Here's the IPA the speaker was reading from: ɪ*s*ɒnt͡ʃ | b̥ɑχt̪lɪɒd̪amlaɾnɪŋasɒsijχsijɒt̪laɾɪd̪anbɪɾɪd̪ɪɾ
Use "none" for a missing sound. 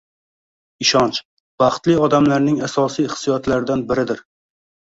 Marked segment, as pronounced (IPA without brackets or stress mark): ʃ